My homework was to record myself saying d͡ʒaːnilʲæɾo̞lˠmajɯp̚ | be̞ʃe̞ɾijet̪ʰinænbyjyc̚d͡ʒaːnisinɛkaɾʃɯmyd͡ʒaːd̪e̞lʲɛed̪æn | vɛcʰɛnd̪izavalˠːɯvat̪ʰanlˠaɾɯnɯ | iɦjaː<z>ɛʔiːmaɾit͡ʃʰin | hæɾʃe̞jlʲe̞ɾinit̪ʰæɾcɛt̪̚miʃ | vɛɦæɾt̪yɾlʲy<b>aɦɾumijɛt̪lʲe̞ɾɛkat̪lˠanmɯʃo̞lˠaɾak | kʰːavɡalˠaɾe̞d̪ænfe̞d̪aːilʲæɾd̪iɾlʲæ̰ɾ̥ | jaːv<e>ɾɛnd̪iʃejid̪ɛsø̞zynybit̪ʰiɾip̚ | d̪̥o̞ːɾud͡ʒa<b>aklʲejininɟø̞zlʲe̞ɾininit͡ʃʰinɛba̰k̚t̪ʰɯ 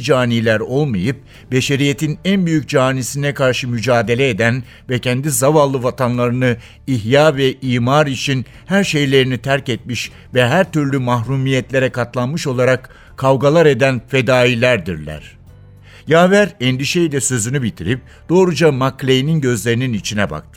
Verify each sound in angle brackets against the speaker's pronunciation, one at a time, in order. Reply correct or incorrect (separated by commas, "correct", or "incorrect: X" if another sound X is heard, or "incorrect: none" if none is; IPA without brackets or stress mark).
incorrect: v, incorrect: m, incorrect: æ, incorrect: m